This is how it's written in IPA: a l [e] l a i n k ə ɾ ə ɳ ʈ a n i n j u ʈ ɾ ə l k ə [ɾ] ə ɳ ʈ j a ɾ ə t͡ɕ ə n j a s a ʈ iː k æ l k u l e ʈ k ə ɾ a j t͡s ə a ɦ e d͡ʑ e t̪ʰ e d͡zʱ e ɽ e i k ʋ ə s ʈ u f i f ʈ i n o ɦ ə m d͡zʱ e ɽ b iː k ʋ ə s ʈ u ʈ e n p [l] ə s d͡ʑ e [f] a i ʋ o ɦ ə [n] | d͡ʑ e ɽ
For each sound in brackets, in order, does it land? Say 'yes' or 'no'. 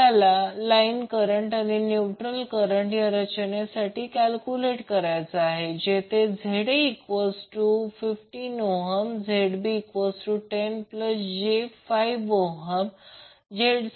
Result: no, yes, yes, yes, no

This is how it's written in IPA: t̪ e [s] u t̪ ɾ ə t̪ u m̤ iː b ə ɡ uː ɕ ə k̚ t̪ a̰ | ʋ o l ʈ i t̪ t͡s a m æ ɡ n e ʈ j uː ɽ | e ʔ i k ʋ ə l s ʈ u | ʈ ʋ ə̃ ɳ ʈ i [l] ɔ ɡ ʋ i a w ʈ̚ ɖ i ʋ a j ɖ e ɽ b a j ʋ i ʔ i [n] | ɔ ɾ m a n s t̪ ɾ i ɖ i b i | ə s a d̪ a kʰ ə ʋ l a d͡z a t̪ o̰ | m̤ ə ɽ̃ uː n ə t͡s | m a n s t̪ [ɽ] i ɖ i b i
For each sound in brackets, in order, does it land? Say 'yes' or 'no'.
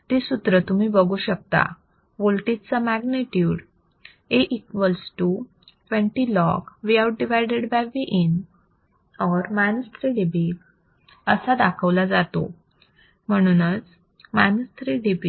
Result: yes, yes, yes, no

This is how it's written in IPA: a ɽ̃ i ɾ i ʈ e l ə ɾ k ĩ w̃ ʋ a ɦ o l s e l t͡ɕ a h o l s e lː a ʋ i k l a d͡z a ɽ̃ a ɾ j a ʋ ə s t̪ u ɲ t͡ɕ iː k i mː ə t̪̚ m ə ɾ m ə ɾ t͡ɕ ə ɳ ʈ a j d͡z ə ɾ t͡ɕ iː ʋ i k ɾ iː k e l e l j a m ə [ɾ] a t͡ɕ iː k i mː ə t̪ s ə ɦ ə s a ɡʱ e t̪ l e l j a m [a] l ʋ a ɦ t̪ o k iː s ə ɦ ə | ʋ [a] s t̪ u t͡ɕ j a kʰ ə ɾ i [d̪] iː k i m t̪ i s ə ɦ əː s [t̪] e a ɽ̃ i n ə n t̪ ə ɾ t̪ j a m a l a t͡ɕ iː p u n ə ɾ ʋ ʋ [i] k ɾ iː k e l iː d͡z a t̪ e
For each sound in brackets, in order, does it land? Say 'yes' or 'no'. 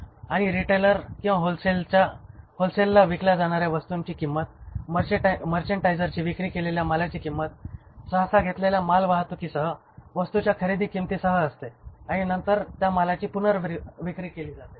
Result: no, yes, no, yes, yes, yes

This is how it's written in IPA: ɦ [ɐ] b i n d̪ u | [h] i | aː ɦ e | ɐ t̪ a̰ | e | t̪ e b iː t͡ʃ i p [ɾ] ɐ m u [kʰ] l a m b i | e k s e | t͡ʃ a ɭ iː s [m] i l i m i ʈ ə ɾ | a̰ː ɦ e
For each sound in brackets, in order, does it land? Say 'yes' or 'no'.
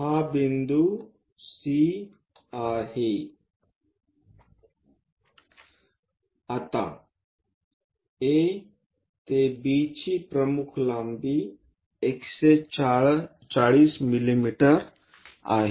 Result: no, no, yes, yes, yes

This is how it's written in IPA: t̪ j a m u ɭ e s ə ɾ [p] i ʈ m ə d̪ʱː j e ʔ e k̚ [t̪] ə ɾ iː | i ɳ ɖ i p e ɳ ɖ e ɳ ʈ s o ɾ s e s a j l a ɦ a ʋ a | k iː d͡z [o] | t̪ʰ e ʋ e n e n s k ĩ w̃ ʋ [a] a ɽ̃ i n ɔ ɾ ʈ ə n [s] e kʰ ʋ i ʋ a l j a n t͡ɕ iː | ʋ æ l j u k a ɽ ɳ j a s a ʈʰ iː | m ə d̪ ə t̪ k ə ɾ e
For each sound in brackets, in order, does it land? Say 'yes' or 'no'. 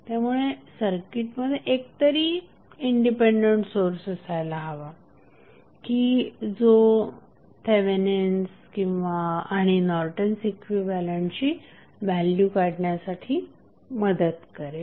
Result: no, yes, yes, yes, yes

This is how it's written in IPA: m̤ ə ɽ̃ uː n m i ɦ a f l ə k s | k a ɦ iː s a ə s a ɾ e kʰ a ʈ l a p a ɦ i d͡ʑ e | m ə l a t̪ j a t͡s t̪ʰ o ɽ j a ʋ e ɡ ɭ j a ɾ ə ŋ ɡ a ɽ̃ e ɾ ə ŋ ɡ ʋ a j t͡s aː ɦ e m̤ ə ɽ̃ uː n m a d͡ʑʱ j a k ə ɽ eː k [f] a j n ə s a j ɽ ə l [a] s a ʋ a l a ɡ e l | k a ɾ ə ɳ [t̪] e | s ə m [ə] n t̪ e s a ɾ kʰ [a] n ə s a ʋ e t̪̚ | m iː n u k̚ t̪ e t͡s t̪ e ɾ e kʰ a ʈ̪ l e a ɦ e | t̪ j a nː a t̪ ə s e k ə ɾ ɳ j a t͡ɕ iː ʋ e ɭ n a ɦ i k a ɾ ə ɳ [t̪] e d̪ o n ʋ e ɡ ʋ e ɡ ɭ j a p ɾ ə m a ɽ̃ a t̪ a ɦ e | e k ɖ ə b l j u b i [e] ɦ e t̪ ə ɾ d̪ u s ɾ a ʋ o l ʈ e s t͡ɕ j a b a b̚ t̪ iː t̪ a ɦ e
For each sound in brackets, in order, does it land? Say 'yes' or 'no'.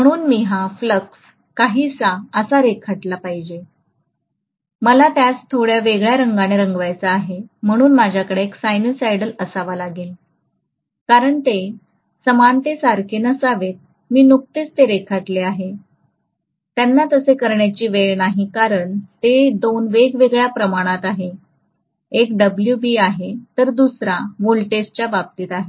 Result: no, no, yes, no, no, yes, no

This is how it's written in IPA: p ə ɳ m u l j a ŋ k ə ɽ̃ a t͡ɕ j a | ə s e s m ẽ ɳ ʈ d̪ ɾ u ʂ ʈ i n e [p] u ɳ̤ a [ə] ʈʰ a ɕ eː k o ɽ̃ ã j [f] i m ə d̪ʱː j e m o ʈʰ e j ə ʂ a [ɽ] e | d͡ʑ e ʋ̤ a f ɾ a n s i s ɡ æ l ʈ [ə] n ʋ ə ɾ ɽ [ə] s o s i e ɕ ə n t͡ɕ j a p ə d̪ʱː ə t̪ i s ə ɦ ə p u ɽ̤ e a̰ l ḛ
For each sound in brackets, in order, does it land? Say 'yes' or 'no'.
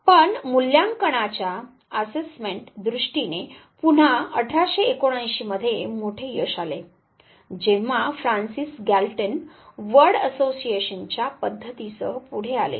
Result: yes, yes, no, no, yes, yes

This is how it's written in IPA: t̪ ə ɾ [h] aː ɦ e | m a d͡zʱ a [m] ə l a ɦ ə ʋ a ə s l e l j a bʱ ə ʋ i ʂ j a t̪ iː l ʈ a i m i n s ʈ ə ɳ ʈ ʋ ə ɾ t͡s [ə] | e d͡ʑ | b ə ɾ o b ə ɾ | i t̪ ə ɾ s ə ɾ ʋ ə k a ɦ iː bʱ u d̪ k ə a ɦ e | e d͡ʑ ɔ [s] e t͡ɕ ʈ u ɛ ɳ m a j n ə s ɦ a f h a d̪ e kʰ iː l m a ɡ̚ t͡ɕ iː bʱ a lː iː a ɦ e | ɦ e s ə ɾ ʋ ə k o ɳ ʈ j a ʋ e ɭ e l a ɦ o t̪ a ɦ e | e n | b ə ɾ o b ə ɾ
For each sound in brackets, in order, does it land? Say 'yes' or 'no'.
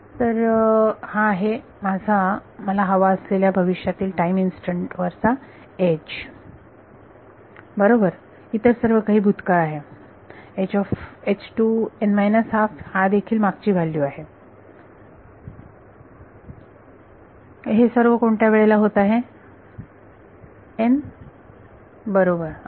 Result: yes, yes, no, no

